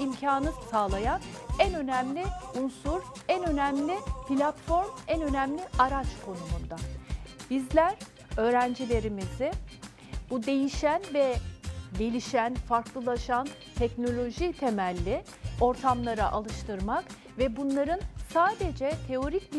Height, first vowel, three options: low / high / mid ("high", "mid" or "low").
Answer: high